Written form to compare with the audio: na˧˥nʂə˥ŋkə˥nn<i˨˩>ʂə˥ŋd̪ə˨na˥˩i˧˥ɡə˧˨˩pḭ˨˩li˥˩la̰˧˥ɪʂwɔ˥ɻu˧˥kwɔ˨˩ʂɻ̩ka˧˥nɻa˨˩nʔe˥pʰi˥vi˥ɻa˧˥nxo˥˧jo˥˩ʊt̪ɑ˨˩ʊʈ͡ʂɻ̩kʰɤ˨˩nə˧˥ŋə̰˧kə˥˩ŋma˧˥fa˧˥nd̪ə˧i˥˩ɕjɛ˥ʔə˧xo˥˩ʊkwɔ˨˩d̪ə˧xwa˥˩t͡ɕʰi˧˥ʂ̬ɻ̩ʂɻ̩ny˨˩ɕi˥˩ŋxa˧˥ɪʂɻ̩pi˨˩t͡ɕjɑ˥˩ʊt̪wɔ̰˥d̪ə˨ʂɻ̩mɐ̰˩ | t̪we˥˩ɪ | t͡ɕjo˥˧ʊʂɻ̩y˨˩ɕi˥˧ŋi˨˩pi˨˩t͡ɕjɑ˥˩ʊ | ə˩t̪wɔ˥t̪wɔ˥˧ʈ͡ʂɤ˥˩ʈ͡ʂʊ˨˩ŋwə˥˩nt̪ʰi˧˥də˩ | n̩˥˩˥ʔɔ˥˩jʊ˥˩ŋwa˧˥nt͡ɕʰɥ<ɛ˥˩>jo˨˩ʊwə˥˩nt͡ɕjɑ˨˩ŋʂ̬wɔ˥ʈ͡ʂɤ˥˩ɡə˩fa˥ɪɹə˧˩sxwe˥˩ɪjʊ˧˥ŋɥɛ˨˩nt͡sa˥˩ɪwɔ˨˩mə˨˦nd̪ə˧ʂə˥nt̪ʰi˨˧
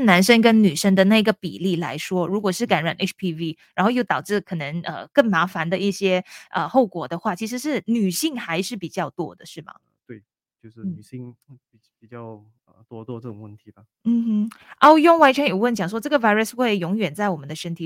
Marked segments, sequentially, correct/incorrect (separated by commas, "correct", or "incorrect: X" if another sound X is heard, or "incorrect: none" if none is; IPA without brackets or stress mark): incorrect: y˨˩, incorrect: ɛ˧˥